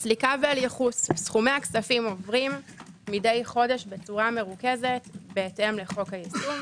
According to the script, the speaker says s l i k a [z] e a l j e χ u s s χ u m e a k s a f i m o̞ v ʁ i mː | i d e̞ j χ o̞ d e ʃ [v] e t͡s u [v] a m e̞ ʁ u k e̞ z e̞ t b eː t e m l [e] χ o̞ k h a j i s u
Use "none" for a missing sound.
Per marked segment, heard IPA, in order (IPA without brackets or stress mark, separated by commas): v, b, ʁ, e